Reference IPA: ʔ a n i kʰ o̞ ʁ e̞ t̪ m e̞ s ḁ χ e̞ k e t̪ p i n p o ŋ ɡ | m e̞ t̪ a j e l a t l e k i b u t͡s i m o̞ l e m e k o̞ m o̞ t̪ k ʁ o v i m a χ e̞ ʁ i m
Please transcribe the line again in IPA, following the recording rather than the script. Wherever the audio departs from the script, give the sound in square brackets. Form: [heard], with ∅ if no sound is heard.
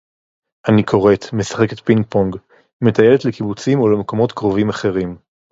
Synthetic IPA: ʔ a n i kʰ o̞ ʁ e̞ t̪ m e̞ s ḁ χ e̞ k e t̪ p i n p o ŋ ɡ | m e̞ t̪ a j e l [e] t l e k i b u t͡s i m o̞ l e m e k o̞ m o̞ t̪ k ʁ o v i m a χ e̞ ʁ i m

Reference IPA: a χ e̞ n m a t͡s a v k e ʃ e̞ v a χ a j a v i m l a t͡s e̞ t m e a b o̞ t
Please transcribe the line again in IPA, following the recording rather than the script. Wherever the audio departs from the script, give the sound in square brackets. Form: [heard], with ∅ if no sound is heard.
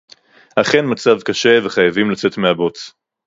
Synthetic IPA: a χ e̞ n m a t͡s a v k [a] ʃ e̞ v [e] χ a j a v i m l a t͡s e̞ t m e a b o̞ [t͡s]

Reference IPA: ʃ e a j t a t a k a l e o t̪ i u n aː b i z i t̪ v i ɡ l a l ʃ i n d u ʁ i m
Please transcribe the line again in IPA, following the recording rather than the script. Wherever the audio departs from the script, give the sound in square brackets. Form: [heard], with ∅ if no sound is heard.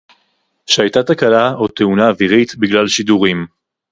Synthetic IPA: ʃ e a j t a t a k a l [a] o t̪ [e] u n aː [v] i [ʁ] i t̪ [b] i ɡ l a l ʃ i [∅] d u ʁ i m

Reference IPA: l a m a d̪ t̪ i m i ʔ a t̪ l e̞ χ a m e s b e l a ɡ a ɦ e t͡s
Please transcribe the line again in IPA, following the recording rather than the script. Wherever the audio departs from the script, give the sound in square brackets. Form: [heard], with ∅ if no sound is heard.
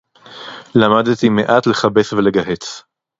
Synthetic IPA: l a m a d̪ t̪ i m [e] ʔ a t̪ l e̞ χ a [b] e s [v] e l [e] ɡ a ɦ e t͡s

